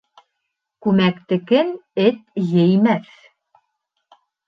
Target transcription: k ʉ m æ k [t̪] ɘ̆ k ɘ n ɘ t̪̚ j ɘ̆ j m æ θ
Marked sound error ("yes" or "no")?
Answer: no